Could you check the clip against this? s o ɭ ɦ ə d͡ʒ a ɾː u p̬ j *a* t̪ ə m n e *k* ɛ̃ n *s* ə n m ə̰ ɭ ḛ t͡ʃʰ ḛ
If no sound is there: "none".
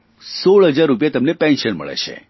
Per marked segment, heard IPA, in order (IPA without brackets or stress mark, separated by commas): a, p, ʃ